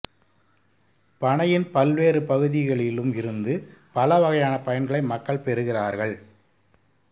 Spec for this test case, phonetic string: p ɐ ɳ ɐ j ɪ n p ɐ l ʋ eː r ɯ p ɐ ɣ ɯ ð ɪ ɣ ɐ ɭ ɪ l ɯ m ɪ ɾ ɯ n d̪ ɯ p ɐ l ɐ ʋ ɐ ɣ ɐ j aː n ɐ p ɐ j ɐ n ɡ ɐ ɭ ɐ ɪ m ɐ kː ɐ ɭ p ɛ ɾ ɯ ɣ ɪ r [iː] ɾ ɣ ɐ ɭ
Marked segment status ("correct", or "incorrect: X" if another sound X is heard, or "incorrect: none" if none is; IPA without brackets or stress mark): incorrect: aː